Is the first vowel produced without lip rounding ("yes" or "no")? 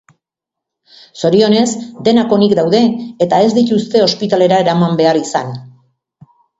no